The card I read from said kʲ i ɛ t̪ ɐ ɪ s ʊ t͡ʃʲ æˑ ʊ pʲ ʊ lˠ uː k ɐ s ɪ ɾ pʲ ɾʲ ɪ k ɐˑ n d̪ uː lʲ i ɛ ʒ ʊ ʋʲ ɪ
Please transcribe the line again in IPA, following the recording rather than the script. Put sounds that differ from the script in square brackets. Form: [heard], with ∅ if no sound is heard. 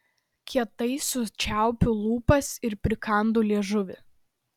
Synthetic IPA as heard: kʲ i ɛ t̪ ɐ ɪ s ʊ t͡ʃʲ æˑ ʊ pʲ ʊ lˠ uː [p] ɐ s ɪ ɾ pʲ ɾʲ ɪ k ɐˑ n d̪ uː lʲ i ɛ ʒ ʊ ʋʲ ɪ